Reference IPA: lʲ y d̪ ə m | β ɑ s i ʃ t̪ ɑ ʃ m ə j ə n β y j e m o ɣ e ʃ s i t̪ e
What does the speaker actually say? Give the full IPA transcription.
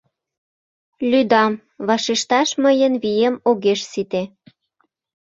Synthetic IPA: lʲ y d̪ ɑ m | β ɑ ʃ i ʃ t̪ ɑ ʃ m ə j ə n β i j e m o ɣ e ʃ s i t̪ e